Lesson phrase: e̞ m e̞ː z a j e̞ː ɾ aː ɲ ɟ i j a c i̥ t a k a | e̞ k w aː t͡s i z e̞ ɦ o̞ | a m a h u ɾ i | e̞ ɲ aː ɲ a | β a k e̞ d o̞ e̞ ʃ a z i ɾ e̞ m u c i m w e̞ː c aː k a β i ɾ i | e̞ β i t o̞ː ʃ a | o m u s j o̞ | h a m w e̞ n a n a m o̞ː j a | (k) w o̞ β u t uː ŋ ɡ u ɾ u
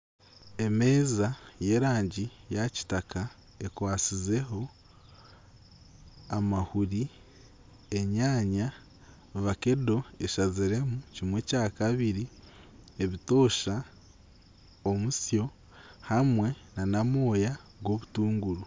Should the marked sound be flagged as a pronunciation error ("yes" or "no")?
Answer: yes